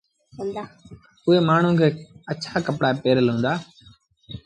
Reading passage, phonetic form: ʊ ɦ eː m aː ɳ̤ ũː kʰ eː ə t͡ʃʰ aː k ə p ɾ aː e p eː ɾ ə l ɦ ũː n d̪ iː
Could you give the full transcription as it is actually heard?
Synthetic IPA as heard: ʊ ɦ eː m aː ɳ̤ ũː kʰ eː ə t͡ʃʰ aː k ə p ɽ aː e p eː ɾ ə l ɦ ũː n d̪ aː